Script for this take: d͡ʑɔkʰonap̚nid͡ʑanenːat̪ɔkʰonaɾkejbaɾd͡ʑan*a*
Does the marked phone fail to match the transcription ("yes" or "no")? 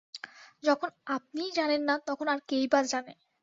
yes